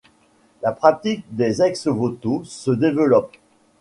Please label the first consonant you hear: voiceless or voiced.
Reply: voiced